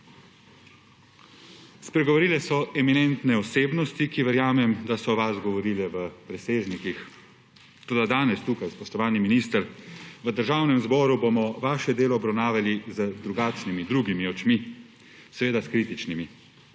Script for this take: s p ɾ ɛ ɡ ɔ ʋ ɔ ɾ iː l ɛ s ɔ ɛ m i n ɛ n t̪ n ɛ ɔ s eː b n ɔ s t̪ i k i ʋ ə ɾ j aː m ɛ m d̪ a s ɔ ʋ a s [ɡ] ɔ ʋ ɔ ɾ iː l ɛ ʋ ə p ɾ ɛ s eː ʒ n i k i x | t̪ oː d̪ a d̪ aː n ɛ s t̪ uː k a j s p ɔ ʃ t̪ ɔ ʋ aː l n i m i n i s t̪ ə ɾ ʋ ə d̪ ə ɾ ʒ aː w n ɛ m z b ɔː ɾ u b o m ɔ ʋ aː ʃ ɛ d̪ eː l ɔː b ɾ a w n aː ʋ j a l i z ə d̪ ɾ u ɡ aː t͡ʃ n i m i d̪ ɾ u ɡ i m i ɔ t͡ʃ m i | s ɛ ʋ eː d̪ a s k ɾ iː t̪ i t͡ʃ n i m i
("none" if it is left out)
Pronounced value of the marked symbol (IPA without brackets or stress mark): ɡ